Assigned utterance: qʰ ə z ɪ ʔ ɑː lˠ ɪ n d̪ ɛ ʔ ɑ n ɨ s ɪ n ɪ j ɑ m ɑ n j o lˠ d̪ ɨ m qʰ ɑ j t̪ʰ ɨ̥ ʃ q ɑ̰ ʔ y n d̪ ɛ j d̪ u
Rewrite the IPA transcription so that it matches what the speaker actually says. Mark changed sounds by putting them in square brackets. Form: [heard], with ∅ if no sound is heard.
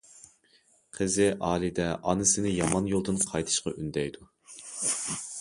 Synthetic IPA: qʰ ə z ɪ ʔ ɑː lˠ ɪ [∅] d̪ ɛ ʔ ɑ n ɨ s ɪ n ɪ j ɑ m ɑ n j o lˠ d̪ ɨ [n] qʰ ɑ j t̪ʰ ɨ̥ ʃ q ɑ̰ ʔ y n d̪ ɛ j d̪ u

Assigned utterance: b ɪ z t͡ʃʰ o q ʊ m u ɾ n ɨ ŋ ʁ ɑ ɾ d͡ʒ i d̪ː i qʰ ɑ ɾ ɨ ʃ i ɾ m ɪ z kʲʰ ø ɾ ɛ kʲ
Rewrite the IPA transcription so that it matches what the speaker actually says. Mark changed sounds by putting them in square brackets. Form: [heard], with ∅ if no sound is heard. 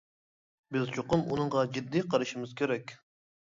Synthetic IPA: b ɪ z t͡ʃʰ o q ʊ m u [∅] n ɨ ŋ ʁ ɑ [∅] d͡ʒ i d̪ː i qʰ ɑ ɾ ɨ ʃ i [∅] m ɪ z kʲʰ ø ɾ ɛ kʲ

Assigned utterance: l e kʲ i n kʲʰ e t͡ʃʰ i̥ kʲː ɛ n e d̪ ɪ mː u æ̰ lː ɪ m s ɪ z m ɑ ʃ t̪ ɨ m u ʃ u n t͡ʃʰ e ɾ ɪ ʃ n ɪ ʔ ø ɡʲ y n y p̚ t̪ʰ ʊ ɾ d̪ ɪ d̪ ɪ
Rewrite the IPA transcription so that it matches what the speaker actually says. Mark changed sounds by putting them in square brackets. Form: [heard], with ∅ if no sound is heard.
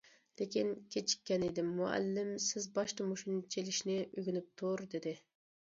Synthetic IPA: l e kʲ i n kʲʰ e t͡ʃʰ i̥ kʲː ɛ n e d̪ ɪ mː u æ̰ lː ɪ m s ɪ z [b] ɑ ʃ t̪ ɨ m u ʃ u n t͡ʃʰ e [l] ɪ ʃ n ɪ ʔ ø ɡʲ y n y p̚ t̪ʰ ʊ ɾ d̪ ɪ d̪ ɪ

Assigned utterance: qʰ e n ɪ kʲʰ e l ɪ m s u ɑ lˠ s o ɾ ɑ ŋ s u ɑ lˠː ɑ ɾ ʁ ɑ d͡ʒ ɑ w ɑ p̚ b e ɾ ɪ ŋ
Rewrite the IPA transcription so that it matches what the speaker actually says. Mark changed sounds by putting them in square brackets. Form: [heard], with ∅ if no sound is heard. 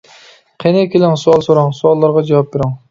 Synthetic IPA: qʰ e n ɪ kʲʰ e l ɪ [ŋ] s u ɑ lˠ s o ɾ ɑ ŋ s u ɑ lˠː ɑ ɾ ʁ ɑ d͡ʒ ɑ w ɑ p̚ b e ɾ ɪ ŋ

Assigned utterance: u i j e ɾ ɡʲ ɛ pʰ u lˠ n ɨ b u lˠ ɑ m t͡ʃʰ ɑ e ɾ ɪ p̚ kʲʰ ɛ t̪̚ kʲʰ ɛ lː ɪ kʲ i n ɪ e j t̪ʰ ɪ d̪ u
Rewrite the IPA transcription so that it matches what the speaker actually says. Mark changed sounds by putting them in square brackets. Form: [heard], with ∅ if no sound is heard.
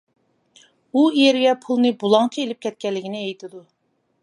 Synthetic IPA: u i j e ɾ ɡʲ ɛ pʰ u lˠ n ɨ b u lˠ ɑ [ŋ] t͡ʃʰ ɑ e [l] ɪ p̚ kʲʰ ɛ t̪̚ [kʲ] ɛ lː ɪ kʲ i n ɪ e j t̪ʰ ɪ d̪ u

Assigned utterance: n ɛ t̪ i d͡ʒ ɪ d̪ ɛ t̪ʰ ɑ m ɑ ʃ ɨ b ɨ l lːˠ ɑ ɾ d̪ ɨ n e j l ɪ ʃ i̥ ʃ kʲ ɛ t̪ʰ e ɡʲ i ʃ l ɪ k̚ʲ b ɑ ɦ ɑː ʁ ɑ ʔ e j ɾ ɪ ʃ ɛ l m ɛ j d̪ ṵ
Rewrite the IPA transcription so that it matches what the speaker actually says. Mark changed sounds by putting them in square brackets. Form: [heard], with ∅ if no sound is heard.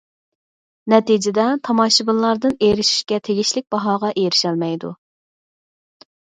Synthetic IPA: n ɛ t̪ i d͡ʒ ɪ d̪ ɛ t̪ʰ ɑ m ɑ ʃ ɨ b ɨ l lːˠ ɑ ɾ d̪ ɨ n e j [ɾ] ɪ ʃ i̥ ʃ kʲ ɛ t̪ʰ e ɡʲ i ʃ l ɪ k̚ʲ b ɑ ɦ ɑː ʁ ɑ ʔ e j ɾ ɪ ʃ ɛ l m ɛ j d̪ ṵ

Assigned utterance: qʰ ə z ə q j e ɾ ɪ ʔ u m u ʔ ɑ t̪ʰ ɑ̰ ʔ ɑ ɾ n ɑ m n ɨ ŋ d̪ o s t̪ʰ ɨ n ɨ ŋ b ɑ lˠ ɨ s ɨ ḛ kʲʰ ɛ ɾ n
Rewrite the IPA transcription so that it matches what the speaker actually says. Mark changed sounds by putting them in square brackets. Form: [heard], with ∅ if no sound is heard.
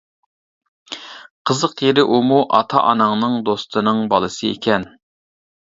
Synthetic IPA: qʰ ə z ə q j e ɾ ɪ ʔ u m u ʔ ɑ t̪ʰ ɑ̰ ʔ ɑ [∅] n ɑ [ŋ] n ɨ ŋ d̪ o s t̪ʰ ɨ n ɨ ŋ b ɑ lˠ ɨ s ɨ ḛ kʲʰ ɛ [∅] n

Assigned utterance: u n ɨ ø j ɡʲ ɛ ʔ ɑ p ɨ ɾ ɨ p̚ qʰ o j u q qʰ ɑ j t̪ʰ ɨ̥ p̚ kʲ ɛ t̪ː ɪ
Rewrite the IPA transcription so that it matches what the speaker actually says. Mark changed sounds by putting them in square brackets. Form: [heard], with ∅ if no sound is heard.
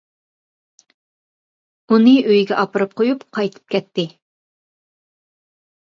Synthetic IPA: u n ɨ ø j ɡʲ ɛ ʔ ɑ p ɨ ɾ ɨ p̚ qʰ o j u [p] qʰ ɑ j t̪ʰ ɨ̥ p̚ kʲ ɛ t̪ː ɪ

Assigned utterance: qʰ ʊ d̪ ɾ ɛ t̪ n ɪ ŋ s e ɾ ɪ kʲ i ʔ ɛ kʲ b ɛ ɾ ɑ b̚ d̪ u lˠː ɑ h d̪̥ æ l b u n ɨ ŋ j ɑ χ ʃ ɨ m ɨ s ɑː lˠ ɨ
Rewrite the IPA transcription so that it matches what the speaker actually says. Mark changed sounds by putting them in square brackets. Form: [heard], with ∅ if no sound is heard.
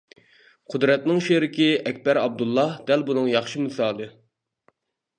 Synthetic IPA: qʰ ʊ d̪ ɾ ɛ t̪ n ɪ ŋ [ʃ] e ɾ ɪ kʲ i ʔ ɛ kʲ b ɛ ɾ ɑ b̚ d̪ u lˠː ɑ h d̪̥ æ l b u n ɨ ŋ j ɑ χ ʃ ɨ m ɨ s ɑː lˠ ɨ

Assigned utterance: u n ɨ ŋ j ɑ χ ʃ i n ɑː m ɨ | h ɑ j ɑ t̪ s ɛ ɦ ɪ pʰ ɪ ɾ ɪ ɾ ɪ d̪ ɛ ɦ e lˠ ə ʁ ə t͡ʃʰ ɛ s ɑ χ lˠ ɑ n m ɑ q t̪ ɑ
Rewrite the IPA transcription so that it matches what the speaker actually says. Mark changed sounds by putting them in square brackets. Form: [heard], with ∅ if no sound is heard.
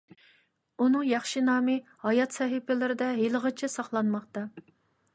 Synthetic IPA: u n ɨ ŋ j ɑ χ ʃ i n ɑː m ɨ | h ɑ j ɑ t̪ s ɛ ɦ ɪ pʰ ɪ [l] ɪ ɾ ɪ d̪ ɛ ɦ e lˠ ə ʁ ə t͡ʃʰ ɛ s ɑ χ lˠ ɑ n m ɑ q t̪ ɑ

